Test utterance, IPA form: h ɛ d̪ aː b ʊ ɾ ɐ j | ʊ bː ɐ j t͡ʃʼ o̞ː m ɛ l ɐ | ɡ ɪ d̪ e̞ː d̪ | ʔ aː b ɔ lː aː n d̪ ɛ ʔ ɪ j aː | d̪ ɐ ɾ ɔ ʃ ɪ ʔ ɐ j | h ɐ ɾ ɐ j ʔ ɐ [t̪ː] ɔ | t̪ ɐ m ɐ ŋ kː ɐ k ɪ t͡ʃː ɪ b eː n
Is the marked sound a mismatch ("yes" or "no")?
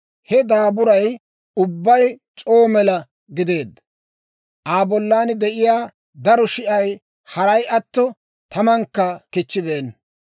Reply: no